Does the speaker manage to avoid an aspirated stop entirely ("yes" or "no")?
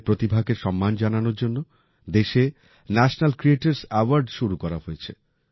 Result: no